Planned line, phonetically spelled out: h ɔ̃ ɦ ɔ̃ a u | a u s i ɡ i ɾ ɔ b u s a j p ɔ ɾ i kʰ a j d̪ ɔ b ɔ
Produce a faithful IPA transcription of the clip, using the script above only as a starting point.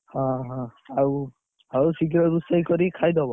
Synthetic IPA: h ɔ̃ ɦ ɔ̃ a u | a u s i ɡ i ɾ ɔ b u s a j k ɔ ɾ i kʰ a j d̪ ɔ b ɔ